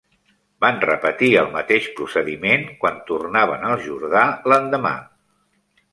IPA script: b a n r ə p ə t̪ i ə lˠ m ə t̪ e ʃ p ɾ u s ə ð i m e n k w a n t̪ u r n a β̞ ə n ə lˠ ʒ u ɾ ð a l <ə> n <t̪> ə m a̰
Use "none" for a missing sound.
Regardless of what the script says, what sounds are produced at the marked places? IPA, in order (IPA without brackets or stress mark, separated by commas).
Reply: ə, d̪